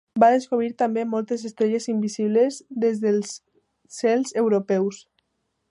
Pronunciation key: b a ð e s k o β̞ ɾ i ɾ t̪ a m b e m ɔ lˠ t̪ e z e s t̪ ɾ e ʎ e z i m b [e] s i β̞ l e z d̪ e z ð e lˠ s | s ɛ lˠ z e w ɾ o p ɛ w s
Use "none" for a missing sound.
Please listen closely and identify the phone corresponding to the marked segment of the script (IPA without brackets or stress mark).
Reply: i